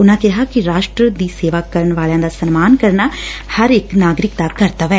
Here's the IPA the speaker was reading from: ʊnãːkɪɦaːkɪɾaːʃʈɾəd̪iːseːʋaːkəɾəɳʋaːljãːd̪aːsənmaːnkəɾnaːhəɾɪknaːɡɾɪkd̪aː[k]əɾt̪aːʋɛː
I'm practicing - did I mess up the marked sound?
no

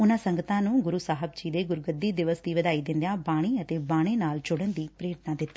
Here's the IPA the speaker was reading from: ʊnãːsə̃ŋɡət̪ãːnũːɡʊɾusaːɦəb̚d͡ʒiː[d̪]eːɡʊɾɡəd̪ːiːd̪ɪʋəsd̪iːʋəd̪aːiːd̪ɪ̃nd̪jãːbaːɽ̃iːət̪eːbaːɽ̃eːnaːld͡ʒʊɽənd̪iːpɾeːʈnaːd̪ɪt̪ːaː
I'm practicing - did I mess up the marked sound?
no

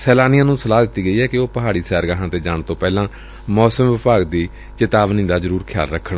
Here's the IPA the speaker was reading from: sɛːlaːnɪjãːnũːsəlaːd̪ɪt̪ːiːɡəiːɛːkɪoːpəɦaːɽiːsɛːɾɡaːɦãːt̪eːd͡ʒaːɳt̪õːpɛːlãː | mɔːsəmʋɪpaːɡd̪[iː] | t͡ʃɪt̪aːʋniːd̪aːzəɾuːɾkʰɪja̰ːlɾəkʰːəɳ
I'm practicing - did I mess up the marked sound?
no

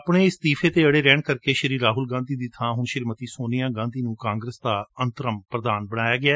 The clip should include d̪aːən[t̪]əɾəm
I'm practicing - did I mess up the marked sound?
no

